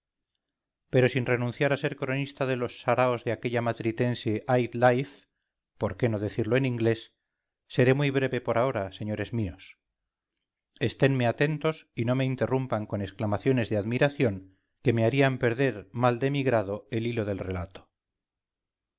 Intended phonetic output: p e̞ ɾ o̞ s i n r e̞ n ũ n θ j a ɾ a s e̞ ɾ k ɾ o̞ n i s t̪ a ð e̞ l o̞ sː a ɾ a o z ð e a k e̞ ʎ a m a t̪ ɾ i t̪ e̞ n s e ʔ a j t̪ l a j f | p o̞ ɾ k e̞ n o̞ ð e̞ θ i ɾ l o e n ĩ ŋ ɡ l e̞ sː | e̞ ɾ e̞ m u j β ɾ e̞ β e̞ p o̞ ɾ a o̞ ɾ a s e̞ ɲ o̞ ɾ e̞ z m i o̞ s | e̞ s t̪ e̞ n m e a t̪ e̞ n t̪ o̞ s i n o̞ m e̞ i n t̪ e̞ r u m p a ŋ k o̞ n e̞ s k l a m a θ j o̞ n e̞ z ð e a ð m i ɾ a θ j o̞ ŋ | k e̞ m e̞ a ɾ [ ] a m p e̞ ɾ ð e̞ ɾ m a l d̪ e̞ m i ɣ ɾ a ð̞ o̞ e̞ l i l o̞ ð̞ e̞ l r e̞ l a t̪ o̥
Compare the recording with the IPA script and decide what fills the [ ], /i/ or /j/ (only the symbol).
i